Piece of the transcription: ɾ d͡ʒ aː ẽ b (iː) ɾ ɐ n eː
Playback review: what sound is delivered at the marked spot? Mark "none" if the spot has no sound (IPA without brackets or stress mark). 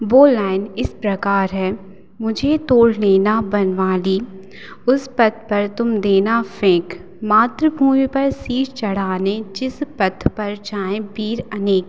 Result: iː